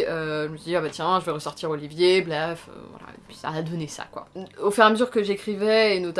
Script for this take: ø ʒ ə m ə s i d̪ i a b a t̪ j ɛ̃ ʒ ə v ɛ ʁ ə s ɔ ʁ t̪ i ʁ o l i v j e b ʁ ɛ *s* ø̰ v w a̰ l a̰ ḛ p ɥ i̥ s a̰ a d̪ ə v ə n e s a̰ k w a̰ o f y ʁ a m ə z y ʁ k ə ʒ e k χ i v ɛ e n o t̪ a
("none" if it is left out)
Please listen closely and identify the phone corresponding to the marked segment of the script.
f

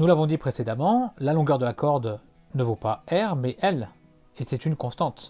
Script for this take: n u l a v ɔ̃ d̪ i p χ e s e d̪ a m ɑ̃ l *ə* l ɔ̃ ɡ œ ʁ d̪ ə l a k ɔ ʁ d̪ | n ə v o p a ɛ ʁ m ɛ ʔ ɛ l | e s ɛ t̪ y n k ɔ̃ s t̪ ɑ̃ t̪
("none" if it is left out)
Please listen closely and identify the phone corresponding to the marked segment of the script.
a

